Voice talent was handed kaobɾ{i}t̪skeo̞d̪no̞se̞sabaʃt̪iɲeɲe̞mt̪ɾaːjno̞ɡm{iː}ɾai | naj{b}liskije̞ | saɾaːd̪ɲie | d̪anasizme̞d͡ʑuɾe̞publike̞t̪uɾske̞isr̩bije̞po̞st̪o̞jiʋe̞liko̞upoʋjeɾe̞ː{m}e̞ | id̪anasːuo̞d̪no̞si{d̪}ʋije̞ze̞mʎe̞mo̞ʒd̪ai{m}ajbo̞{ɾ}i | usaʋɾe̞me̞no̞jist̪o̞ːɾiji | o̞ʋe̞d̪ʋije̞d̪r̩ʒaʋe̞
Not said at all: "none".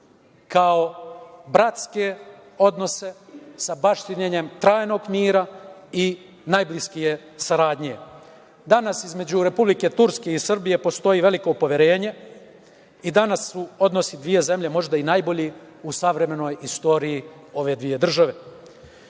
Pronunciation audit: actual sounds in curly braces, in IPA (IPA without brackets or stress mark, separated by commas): a, iː, b, ɲ, d̪, n, ʎ